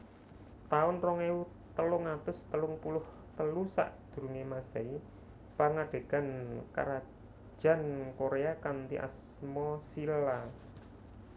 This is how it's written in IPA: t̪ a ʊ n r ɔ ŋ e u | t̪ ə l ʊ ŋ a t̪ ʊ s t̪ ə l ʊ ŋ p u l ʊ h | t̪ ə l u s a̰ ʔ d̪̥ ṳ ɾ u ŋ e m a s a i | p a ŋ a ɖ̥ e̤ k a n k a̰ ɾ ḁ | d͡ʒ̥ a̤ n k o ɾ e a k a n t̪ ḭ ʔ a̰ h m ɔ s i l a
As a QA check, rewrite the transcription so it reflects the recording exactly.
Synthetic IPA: t̪ a ʊ n r ɔ ŋ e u | t̪ ə l ʊ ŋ a t̪ ʊ s t̪ ə l ʊ ŋ p u l ʊ h | t̪ ə l u s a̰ ʔ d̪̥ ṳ ɾ u ŋ e m a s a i | p a ŋ a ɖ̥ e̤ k a n k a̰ ɾ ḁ | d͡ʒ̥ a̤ n k o ɾ e a k a n t̪ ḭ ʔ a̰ s m ɔ s i l a